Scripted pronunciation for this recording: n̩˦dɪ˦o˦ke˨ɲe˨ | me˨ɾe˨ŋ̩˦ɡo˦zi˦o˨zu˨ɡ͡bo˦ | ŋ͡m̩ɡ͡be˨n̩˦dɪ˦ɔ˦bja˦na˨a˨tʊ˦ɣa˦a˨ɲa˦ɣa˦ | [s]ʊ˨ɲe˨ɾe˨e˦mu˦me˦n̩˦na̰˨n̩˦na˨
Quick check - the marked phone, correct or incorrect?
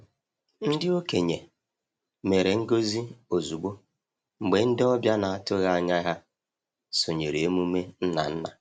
correct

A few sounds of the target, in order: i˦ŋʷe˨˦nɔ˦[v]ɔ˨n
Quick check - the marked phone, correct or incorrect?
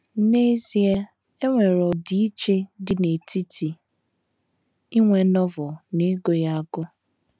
correct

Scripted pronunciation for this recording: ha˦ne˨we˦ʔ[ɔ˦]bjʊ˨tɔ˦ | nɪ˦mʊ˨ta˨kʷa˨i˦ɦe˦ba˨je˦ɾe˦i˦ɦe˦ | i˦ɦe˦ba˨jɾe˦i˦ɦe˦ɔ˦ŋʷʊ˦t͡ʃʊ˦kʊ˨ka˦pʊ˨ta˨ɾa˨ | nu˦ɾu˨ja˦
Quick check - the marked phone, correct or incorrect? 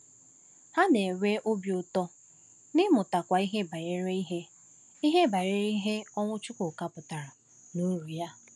incorrect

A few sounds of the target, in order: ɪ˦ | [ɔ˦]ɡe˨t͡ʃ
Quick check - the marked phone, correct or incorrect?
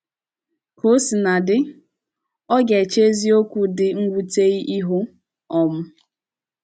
correct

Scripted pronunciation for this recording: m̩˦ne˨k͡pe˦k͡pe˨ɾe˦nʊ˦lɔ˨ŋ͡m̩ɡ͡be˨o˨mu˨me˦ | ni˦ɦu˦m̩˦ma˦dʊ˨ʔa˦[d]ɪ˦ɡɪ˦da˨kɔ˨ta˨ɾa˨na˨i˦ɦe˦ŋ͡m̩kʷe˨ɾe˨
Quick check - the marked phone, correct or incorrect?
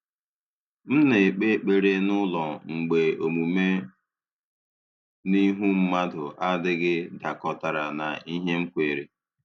correct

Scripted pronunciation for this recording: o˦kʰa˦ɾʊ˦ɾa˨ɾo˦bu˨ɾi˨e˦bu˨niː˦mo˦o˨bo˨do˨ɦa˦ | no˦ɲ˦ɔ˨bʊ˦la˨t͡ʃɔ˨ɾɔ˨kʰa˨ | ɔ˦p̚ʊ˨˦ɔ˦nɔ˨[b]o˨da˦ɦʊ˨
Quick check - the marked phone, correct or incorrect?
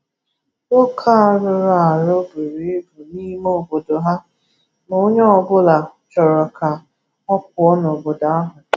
correct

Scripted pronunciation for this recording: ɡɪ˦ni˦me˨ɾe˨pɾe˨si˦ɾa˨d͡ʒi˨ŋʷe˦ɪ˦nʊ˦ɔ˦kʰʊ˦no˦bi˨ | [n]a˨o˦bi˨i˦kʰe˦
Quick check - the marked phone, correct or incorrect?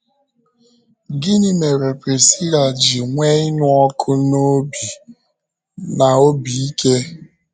correct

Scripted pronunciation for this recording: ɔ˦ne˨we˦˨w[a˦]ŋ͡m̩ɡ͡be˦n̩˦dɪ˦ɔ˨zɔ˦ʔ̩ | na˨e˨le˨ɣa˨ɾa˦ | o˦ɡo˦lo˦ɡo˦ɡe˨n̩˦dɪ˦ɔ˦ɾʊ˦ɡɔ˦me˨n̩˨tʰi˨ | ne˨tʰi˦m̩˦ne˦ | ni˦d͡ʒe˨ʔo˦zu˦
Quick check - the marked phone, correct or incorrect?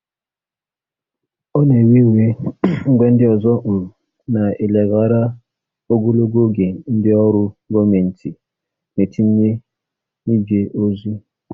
incorrect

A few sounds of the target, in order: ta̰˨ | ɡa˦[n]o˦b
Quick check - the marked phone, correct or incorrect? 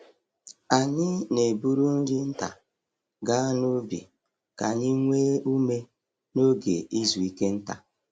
correct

